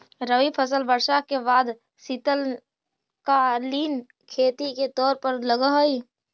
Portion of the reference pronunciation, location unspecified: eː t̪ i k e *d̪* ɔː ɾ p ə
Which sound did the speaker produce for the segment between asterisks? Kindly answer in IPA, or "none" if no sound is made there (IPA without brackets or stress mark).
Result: t̪